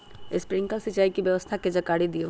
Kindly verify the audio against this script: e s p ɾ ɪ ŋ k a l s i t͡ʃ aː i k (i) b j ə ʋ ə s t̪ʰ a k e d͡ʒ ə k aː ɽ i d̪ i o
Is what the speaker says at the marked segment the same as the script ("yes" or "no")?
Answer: yes